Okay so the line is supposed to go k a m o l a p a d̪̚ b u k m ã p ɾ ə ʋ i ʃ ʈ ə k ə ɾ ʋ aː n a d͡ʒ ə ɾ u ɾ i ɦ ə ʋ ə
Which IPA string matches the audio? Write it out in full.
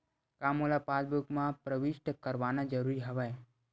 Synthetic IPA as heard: k a m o l a p a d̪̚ b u k m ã p ɾ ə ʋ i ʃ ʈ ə k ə ɾ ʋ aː n a d͡ʒ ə ɾ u ɾ i ɦ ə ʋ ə